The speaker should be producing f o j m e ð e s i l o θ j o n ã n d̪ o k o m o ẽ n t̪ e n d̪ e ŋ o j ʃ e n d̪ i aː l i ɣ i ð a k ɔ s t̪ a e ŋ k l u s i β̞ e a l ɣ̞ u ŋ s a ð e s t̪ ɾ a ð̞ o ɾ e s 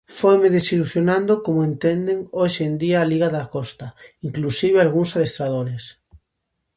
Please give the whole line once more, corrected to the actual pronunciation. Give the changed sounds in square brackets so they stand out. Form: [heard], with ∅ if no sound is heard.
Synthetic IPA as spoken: f o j m e ð e s i l [u] θ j o n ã n d̪ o k o m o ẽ n t̪ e n d̪ e ŋ o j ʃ e n d̪ i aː l i ɣ [a] ð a k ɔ s t̪ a [i] ŋ k l u s i β̞ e a l ɣ̞ u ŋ s a ð e s t̪ ɾ a ð̞ o ɾ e s